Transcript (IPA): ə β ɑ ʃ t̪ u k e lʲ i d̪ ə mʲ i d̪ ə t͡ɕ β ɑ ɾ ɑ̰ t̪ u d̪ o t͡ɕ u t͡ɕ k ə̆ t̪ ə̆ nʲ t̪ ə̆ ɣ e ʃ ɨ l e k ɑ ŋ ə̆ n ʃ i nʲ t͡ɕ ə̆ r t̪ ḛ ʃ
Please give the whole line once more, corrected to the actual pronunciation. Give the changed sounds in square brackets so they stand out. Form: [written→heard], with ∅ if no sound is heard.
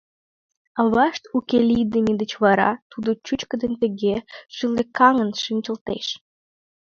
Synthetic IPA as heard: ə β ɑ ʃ t̪ u k e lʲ i d̪ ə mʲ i d̪ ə t͡ɕ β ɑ ɾ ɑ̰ t̪ u d̪ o t͡ɕ u t͡ɕ k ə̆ [t̪→d̪] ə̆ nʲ t̪ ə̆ ɣ e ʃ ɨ l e k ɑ ŋ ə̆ n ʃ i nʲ t͡ɕ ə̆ [r→l] t̪ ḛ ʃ